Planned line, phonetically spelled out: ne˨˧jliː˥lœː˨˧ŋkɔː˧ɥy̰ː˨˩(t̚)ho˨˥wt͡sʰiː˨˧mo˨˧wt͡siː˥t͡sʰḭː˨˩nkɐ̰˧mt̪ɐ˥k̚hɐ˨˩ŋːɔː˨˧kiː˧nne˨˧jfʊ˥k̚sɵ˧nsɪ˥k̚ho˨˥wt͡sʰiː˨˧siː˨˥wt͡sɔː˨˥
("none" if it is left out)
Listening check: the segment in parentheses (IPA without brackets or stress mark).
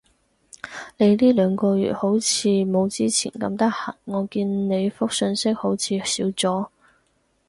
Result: t̚